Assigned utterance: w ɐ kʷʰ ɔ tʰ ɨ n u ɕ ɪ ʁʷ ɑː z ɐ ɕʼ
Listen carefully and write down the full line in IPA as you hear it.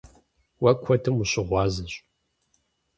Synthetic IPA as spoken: w ɐ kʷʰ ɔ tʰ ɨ m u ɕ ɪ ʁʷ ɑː z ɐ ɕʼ